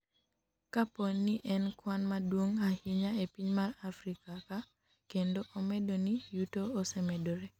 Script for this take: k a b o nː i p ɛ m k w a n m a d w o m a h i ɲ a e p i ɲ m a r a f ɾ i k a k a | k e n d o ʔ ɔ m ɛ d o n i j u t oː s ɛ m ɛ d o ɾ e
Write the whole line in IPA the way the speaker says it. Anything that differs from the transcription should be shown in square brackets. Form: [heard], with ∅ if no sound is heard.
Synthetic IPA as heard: k a [p] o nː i [ʔ] ɛ [n] k w a n m a d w o [ŋ] a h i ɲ a e p i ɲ m a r a f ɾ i k a k a | k e n d o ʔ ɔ m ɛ d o n i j u t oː s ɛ m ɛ d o ɾ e